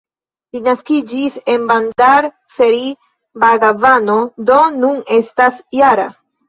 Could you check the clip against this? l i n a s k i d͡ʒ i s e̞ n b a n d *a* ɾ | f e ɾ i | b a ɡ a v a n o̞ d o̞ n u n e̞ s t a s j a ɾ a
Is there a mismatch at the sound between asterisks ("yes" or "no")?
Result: no